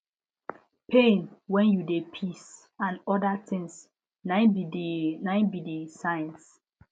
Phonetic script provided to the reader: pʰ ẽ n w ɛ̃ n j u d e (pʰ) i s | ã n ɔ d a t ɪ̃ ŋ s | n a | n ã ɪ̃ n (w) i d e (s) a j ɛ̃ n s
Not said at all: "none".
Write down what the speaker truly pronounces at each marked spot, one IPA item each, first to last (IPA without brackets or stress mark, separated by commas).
pʰ, b, s